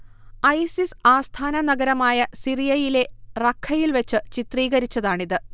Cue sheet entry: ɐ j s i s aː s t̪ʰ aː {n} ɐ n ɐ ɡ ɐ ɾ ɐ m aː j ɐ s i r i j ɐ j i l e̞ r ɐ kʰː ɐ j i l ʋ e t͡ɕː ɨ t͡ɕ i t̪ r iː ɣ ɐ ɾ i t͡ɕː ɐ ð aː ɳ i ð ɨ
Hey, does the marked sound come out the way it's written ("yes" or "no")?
yes